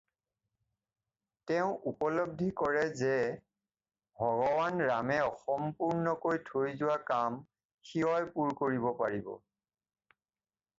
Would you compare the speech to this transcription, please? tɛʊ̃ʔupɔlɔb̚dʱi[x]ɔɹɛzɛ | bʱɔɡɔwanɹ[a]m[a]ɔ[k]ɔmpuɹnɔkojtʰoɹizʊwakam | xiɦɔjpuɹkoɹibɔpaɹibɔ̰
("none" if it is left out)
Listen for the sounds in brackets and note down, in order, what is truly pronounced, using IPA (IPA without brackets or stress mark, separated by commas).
k, a, ɛ, x